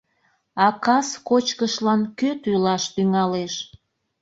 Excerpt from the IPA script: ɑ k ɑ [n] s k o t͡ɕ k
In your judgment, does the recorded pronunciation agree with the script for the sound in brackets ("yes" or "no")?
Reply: no